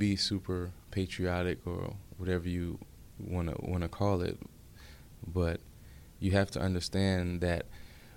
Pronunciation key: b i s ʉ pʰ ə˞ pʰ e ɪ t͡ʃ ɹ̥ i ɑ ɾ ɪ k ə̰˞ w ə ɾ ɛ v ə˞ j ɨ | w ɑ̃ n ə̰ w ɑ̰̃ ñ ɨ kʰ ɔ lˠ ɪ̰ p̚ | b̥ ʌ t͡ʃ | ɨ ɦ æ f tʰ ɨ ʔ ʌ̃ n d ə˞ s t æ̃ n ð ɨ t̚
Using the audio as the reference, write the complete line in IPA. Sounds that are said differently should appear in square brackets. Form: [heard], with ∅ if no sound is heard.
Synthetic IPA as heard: b i s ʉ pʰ ə˞ pʰ e ɪ t͡ʃ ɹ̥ i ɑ ɾ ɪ k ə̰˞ w [ʌ] ɾ ɛ v ə˞ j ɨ | w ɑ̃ n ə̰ w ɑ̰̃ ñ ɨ kʰ ɔ lˠ ɪ̰ [t̚] | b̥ ʌ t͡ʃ | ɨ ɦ æ f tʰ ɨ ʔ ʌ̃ n d ə˞ s t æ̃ n ð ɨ t̚